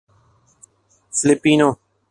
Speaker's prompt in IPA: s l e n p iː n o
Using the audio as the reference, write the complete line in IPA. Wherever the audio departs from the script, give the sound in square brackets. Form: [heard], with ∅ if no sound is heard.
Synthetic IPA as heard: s l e [∅] p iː n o